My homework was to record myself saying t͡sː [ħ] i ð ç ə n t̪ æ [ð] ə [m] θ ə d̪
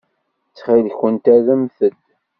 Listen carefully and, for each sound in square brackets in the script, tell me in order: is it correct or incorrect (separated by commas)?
incorrect, correct, correct